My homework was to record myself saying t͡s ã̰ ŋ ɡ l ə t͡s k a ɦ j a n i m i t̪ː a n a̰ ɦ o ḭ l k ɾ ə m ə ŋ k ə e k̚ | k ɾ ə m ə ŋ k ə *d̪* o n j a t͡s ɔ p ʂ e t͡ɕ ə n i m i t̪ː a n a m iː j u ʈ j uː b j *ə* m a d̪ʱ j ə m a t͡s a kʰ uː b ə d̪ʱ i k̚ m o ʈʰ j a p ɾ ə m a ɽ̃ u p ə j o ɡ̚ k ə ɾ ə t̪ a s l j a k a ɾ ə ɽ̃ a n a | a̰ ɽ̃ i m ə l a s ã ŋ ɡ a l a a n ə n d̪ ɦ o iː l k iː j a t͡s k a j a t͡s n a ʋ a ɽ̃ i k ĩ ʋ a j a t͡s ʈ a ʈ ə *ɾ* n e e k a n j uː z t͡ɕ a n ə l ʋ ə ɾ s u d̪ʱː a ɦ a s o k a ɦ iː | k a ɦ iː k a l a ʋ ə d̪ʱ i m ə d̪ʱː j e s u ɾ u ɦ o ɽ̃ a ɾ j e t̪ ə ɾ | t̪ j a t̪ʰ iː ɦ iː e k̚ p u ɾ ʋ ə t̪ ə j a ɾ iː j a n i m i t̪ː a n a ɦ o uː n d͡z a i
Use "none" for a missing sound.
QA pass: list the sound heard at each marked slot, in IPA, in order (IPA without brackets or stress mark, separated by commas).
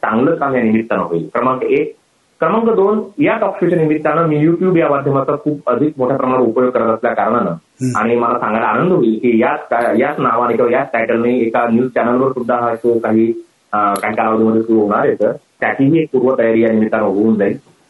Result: d̪, a, l